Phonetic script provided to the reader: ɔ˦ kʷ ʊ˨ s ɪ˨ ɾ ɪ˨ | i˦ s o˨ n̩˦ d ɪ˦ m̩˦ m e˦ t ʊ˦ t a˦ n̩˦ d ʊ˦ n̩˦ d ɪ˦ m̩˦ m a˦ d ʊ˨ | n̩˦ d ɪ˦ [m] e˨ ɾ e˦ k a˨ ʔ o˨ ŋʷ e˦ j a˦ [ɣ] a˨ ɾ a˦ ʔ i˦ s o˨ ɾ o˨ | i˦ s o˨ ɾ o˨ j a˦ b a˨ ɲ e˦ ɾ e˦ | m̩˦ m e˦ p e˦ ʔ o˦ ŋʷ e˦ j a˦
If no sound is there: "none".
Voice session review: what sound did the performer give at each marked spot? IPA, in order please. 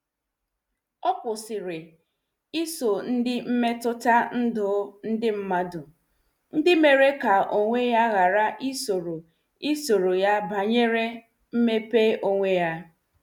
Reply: m, ɣ

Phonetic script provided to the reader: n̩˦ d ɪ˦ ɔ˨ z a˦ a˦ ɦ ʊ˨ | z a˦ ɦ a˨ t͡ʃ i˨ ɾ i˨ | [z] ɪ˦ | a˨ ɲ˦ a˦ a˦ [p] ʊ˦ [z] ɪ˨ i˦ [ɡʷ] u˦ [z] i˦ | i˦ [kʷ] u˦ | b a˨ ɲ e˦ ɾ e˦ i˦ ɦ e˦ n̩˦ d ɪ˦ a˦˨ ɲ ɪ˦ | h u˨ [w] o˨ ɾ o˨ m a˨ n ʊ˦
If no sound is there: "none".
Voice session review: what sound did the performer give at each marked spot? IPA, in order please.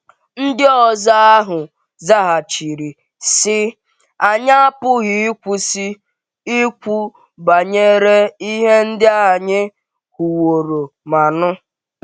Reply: s, p, ɣ, kʷ, s, kʷ, w

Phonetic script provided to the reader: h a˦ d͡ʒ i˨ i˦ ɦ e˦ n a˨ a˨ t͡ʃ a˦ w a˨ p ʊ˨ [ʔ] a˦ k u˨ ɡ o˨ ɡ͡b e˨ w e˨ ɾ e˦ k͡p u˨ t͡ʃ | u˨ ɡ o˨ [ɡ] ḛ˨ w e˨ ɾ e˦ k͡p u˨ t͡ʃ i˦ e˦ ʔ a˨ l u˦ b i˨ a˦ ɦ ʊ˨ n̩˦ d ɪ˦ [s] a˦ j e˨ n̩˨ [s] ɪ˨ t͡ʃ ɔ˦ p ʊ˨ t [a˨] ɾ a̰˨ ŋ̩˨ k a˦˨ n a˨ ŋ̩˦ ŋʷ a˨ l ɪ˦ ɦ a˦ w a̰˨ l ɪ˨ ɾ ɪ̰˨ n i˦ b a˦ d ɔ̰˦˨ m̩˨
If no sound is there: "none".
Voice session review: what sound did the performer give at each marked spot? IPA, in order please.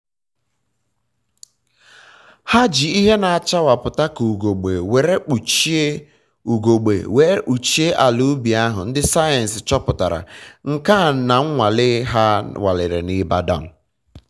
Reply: t, ɡ͡b, s, s, a˨

